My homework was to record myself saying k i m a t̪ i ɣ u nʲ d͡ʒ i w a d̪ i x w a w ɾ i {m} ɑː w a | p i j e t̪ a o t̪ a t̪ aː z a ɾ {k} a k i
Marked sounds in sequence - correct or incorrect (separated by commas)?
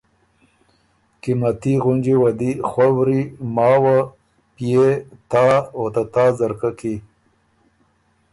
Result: correct, correct